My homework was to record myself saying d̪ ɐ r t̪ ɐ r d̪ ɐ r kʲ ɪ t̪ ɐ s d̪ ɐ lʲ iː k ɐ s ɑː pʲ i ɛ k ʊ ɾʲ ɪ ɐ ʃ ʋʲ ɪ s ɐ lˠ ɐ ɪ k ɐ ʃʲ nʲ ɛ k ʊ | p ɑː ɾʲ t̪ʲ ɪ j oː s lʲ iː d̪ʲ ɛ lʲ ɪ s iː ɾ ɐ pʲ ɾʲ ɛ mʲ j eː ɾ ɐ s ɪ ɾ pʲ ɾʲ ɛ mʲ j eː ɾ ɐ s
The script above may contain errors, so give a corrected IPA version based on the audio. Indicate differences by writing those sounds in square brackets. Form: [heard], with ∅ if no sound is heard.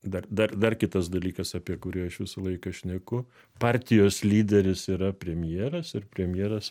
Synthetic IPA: d̪ ɐ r [d̪] ɐ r d̪ ɐ r kʲ ɪ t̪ ɐ s d̪ ɐ lʲ iː k ɐ s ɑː pʲ i ɛ k ʊ ɾʲ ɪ ɐ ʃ ʋʲ ɪ s ɐ lˠ ɐ ɪ k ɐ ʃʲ nʲ ɛ k ʊ | p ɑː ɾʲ t̪ʲ ɪ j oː s lʲ iː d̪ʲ ɛ [ɾʲ] ɪ s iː ɾ ɐ pʲ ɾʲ ɛ mʲ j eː ɾ ɐ s ɪ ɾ pʲ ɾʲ ɛ mʲ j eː ɾ ɐ s